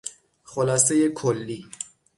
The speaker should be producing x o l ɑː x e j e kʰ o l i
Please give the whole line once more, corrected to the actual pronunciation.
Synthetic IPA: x o l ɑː s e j e kʰ o lː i